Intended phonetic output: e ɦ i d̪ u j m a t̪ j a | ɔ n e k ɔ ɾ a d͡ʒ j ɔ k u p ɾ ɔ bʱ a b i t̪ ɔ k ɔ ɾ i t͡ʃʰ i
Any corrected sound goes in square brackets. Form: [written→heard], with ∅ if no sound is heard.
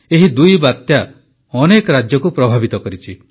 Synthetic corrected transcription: e ɦ i d̪ u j [m→b] a t̪ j a | ɔ n e k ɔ ɾ a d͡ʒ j ɔ k u p ɾ ɔ bʱ a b i t̪ ɔ k ɔ ɾ i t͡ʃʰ i